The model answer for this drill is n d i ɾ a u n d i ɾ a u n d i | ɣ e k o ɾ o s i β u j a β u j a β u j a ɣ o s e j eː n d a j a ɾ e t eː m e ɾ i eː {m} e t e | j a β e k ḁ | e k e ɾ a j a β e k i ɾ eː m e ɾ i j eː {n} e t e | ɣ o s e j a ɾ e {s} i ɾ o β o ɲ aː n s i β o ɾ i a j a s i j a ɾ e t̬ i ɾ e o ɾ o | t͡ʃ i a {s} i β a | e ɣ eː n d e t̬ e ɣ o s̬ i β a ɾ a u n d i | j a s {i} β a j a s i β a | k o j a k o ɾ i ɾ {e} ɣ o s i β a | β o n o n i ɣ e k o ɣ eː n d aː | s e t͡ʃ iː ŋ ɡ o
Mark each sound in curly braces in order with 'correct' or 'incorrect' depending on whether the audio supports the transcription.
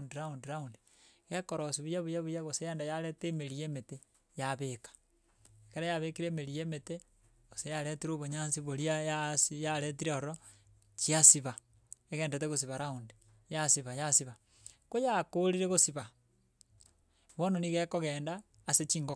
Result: correct, incorrect, incorrect, correct, correct, correct

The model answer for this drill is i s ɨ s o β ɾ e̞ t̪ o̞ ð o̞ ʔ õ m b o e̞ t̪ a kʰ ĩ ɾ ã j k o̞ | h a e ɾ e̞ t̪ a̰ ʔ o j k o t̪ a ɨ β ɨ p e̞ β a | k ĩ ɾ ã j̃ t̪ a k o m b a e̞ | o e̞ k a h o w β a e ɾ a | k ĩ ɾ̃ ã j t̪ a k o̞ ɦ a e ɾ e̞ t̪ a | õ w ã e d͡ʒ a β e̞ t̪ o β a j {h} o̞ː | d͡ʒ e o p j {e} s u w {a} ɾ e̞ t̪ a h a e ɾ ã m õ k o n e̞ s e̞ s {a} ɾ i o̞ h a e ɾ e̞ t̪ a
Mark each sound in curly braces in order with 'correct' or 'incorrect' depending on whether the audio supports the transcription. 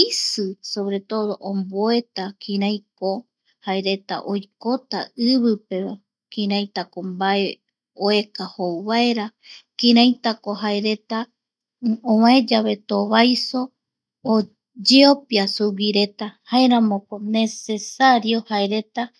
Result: incorrect, incorrect, incorrect, correct

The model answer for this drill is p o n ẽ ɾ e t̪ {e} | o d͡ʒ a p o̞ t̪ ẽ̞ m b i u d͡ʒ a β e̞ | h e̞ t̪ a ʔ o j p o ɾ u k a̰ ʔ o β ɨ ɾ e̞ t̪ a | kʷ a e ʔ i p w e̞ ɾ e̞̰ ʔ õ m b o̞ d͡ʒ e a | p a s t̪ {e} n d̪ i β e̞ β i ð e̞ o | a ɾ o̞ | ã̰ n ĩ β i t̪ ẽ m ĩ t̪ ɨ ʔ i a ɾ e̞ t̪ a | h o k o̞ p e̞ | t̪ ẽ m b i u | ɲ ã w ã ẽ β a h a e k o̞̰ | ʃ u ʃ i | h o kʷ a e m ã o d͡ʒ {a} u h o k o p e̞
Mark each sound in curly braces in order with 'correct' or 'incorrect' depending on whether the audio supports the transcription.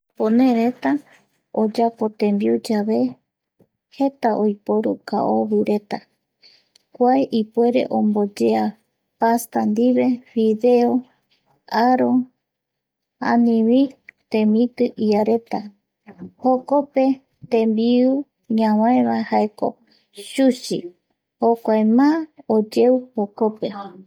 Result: incorrect, incorrect, incorrect

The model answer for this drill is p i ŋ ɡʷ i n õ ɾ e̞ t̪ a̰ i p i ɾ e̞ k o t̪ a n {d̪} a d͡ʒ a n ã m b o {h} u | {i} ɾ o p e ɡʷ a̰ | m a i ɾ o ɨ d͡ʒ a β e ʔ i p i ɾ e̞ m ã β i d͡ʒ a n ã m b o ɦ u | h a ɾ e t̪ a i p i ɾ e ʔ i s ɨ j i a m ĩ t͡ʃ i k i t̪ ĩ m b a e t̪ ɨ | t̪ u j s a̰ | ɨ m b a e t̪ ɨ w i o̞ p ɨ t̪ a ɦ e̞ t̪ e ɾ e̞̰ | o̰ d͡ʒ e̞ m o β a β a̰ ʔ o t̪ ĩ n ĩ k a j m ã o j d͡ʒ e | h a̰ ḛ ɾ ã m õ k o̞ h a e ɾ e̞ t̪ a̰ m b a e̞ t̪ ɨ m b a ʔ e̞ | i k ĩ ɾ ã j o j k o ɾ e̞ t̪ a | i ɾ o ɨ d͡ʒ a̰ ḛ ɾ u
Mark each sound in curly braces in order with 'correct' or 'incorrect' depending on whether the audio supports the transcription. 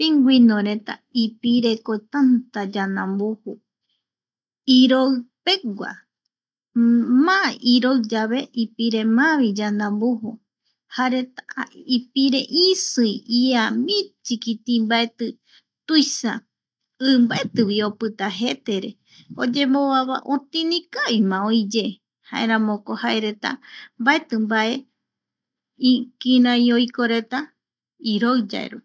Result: incorrect, correct, correct

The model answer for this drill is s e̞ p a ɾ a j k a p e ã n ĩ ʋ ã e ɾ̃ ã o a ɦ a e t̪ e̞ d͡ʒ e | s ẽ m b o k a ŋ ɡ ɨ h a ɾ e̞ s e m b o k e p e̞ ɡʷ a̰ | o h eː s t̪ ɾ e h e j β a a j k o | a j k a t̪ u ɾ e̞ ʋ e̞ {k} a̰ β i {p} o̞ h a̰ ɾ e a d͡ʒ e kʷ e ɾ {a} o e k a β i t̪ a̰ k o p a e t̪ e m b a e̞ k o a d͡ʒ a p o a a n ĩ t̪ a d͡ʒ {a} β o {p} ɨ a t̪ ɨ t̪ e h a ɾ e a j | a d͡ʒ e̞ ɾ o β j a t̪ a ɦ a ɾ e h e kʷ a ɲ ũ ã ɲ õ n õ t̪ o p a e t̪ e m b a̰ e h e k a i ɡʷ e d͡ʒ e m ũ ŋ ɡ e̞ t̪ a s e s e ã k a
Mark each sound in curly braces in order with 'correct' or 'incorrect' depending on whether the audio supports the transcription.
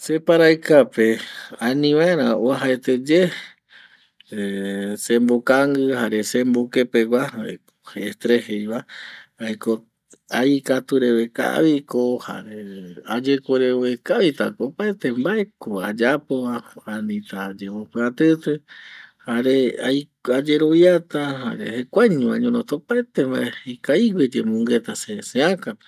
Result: correct, incorrect, incorrect, incorrect, correct

